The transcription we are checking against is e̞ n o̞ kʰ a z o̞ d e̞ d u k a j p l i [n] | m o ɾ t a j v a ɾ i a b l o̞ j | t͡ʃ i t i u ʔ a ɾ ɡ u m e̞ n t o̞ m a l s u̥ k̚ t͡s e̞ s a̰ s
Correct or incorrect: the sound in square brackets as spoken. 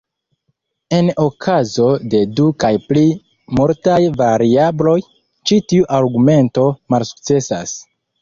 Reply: incorrect: none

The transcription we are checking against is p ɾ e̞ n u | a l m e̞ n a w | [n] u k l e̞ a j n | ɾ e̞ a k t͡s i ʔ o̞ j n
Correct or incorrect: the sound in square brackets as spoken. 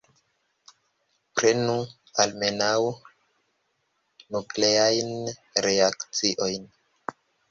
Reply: correct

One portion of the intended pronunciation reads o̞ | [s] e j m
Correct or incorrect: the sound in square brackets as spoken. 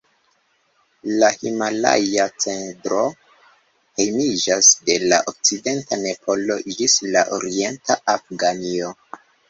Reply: incorrect: h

